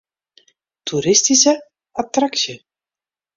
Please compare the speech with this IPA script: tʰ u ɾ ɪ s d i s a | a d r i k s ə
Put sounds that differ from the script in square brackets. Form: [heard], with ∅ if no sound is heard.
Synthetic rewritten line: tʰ u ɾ ɪ s [t] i s [ə] | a [t] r [a] k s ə